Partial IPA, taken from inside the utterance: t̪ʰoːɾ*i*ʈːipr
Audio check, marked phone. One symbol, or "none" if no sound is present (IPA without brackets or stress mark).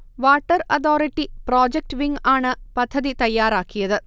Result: i